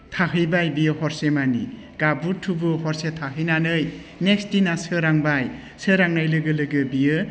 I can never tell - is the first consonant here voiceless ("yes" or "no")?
yes